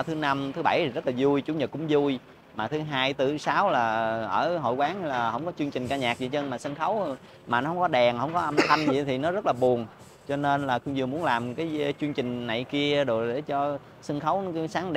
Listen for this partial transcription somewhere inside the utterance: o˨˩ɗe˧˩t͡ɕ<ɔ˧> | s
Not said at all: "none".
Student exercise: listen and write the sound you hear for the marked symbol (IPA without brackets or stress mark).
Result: ɔ˧